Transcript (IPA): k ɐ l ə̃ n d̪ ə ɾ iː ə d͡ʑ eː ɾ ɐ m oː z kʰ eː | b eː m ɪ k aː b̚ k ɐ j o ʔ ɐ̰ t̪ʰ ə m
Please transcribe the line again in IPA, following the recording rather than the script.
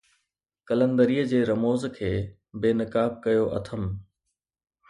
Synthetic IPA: k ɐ l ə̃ n d̪ ə ɾ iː ə d͡ʑ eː ɾ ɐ m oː z kʰ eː | b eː n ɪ k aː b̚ k ɐ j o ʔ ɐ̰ t̪ʰ ə m

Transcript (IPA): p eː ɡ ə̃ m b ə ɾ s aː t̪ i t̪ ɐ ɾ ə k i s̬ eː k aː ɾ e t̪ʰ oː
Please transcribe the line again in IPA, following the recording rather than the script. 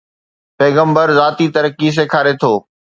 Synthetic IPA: p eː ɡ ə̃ m b ə ɾ z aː t̪ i t̪ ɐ ɾ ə k i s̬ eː kʰ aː ɾ e t̪ʰ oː

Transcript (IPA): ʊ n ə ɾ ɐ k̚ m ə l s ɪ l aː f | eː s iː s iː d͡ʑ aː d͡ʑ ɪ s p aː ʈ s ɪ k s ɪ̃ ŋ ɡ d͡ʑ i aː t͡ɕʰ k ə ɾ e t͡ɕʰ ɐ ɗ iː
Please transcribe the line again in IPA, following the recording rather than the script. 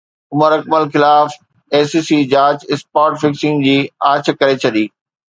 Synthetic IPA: ʊ m ə ɾ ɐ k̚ m ə l x ɪ l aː f | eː s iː s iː d͡ʑ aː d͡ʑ ɪ s p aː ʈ f ɪ k s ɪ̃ ŋ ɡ d͡ʑ iː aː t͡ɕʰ k ɐ ɾ e t͡ɕʰ ɐ ɗ iː

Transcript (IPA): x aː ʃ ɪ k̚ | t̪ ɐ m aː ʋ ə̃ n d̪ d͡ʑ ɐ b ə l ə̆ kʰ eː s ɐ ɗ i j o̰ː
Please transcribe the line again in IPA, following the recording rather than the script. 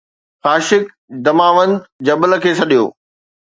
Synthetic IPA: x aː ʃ ɪ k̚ | d̪ ɐ m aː ʋ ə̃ n d̪ d͡ʑ ɐ b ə l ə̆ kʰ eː s ɐ ɗ i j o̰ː

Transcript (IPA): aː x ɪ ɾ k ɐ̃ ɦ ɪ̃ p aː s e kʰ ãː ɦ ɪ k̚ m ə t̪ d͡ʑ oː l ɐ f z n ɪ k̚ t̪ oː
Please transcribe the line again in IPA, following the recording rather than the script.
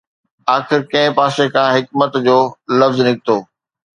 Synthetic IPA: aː x ɪ ɾ k ɐ̃ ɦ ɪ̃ p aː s e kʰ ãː ɦ ɪ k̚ m ə t̪ d͡ʑ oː l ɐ f z n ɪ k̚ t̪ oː

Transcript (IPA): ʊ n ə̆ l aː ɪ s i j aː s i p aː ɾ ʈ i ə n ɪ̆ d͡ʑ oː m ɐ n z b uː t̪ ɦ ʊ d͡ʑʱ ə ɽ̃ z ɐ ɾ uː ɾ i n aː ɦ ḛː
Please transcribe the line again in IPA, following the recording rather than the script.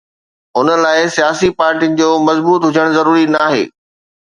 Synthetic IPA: ʊ n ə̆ l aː ɪ s i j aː s i p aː ɾ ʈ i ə n ɪ̆ d͡ʑ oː m ɐ z b uː t̪ ɦ ʊ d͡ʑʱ ə ɽ̃ z ɐ ɾ uː ɾ i n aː ɦ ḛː

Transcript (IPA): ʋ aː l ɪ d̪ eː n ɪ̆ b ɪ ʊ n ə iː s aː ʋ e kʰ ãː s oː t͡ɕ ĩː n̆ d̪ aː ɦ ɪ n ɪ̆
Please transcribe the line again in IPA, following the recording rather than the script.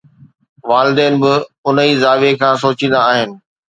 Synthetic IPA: ʋ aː l ɪ d̪ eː n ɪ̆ b ɪ ʊ n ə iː z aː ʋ e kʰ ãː s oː t͡ɕ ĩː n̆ d̪ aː ɦ ɪ n ɪ̆

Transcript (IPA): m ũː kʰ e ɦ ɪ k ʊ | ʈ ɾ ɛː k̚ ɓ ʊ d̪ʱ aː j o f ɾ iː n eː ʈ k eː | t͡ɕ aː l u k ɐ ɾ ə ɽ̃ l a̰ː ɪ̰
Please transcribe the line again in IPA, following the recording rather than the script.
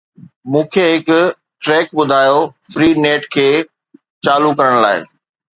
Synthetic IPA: m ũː kʰ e ɦ ɪ k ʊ | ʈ ɾ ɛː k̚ ɓ ʊ d̪ʱ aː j o f ɾ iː n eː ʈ kʰ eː | t͡ɕ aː l u k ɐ ɾ ə ɽ̃ l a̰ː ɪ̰

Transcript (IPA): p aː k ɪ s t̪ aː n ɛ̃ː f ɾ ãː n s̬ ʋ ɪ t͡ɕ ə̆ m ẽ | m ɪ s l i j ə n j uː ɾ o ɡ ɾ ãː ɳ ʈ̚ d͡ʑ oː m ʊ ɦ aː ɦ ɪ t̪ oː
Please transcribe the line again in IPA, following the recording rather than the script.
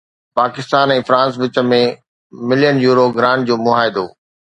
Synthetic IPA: p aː k ɪ s t̪ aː n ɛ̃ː f ɾ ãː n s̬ ʋ ɪ t͡ɕ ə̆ m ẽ | m ɪ l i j ə n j uː ɾ o ɡ ɾ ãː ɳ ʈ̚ d͡ʑ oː m ʊ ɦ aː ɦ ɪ d̪ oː

